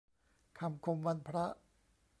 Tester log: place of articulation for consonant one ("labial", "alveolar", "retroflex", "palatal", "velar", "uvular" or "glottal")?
velar